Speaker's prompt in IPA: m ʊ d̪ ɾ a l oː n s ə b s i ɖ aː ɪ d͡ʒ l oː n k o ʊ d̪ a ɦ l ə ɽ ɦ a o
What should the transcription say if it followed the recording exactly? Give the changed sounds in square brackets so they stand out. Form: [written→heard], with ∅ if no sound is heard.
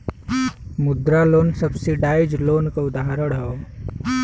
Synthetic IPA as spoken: m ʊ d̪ ɾ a l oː n s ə b s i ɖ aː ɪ d͡ʒ l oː n k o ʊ d̪ a ɦ [l→ɾ] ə ɽ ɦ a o